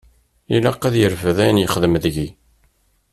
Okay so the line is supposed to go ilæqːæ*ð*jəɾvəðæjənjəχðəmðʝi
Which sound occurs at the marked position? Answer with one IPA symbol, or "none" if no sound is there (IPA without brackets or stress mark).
ð